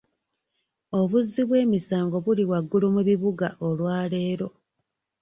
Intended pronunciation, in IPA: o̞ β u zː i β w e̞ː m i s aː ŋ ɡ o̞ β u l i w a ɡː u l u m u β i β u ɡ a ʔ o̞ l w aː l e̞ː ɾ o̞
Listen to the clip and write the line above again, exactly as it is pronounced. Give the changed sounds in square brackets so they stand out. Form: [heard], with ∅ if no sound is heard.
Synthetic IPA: o̞ β u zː i β w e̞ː m i s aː ŋ ɡ o̞ β u l i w a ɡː u l u m u β i β u ɡ a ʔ o̞ l w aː l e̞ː ɾ o̞

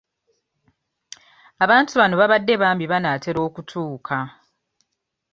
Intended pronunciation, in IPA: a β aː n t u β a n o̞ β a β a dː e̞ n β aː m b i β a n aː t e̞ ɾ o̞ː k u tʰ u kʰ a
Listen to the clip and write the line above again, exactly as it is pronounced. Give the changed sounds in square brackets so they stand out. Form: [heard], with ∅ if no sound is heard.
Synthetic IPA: a β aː n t u β a n o̞ β a β a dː e̞ [∅] β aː m b i β a n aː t e̞ ɾ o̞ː k u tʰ [uː] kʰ a

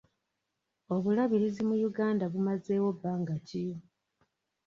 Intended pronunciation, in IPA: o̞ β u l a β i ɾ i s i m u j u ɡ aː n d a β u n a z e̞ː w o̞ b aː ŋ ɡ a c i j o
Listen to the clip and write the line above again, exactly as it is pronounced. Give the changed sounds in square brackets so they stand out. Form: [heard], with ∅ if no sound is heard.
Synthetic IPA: o̞ β u l a β i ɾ i [z] i m u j u ɡ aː n d a β u [m] a z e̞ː w o̞ b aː ŋ ɡ a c i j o

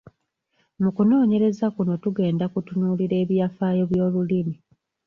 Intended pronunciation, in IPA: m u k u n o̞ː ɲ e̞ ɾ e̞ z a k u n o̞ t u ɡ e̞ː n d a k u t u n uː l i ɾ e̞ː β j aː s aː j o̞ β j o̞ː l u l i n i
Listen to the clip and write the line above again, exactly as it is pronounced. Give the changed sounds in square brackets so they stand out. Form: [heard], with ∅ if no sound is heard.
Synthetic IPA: m u k u n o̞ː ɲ e̞ ɾ e̞ z a k u n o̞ t u ɡ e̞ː n d a k u t u n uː l i ɾ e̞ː β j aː [f] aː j o̞ β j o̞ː l u l i [m] i

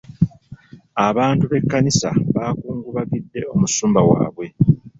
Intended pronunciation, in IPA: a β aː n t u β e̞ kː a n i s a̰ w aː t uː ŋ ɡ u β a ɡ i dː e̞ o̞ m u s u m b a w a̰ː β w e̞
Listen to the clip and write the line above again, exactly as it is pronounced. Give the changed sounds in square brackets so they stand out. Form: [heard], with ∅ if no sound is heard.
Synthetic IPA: a β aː n t u β e̞ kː a n i s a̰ [β] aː [k] uː ŋ ɡ u β a ɡ i dː e̞ o̞ m u s [uː] m b a w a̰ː β w e̞

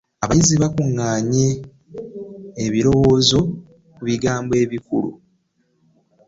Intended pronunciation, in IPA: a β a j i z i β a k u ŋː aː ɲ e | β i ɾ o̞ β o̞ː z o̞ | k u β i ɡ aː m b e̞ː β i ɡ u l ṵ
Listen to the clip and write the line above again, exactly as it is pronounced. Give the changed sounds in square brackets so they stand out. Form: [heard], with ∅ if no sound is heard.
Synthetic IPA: a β a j i z i β a k u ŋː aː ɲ e | β i ɾ o̞ [w] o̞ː z o̞ | k u β i ɡ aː m b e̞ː β i [k] u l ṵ

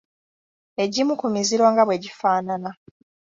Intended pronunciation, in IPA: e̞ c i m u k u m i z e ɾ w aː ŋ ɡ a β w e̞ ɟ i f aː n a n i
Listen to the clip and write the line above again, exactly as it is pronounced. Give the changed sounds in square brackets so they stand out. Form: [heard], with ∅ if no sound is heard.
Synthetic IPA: e̞ [ɟ] i m u k u m i z [i] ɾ w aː ŋ ɡ a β w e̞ ɟ i f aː n a n [a]

